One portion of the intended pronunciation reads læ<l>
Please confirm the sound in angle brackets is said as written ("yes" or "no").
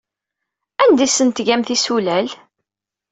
yes